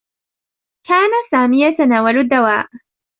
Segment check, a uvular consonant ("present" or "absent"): absent